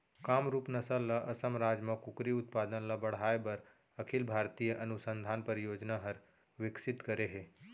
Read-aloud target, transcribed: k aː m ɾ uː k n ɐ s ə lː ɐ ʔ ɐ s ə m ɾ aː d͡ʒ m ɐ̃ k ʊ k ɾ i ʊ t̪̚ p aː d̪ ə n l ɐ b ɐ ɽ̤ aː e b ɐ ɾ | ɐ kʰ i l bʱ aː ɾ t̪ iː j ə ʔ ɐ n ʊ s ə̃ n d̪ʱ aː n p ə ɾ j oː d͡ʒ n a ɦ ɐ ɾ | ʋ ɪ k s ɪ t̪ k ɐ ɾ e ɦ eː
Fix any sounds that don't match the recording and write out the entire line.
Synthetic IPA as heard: k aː m ɾ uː p n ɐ s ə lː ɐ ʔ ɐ s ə m ɾ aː d͡ʒ m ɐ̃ k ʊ k ɾ i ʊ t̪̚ p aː d̪ ə n l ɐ b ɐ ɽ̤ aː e b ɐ ɾ | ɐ kʰ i l bʱ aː ɾ t̪ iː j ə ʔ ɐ n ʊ s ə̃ n d̪ʱ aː n p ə ɾ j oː d͡ʒ n a ɦ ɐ ɾ | ʋ ɪ k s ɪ t̪ k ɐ ɾ e ɦ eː